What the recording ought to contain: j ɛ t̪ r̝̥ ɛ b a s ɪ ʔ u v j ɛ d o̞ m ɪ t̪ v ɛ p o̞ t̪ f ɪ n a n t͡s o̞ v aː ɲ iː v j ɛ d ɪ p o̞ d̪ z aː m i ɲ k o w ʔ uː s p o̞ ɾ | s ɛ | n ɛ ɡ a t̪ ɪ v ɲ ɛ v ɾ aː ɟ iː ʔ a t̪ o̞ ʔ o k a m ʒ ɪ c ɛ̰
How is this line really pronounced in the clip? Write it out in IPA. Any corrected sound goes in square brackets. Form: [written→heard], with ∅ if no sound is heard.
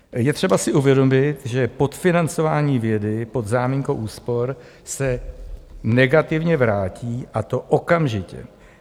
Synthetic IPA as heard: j ɛ t̪ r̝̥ ɛ b a s ɪ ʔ u v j ɛ d o̞ m ɪ t̪ [v→ʒ] ɛ p o̞ t̪ f ɪ n a n t͡s o̞ v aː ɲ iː v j ɛ d ɪ p o̞ d̪ z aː m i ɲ k o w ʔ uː s p o̞ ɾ | s ɛ | n ɛ ɡ a t̪ ɪ v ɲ ɛ v ɾ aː [ɟ→c] iː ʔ a t̪ o̞ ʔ o k a m ʒ ɪ c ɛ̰